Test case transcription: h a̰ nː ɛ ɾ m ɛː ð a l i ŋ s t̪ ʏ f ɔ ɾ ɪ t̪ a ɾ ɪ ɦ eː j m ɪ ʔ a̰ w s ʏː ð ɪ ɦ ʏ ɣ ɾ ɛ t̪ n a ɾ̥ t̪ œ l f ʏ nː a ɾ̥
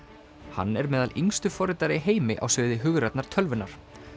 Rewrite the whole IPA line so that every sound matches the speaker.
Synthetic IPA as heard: h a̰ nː ɛ ɾ m ɛː ð a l i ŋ s t̪ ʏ f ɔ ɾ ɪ t̪ a ɾ ɪ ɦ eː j m ɪ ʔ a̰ w s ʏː ð ɪ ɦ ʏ ɣ ɾ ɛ t̪ n a ɾ̥ t̪ʰ œ l v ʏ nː a ɾ̥